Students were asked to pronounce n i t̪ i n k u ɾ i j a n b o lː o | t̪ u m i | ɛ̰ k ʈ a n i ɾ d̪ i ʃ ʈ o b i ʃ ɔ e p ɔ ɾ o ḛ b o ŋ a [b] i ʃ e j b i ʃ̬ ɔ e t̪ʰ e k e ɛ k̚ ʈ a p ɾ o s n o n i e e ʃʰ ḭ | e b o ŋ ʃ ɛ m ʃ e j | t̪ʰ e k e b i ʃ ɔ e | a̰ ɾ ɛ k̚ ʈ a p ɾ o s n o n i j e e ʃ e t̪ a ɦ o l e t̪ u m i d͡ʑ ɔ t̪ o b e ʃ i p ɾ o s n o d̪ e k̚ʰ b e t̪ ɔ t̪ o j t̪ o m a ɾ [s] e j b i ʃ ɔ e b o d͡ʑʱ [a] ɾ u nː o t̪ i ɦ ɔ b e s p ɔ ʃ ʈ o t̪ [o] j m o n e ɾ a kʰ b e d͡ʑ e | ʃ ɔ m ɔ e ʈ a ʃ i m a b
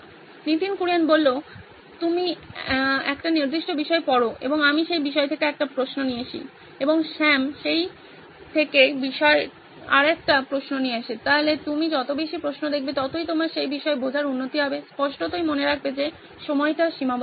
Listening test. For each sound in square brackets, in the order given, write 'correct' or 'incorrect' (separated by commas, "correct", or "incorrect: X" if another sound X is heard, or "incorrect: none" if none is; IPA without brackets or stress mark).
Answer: incorrect: m, incorrect: ʃ, correct, correct